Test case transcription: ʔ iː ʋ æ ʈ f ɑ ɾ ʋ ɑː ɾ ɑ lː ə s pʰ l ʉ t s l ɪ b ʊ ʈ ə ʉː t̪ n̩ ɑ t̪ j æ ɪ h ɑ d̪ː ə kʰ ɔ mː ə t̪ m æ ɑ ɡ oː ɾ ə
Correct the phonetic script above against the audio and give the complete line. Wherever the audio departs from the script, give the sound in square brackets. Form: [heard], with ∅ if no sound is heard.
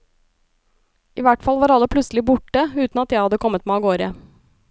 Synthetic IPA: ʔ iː ʋ æ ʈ f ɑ [l] ʋ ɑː ɾ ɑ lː ə [∅] pʰ l ʉ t s l ɪ b ʊ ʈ ə ʉː t̪ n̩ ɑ t̪ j æ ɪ h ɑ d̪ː ə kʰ ɔ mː ə t̪ m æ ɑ ɡ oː ɾ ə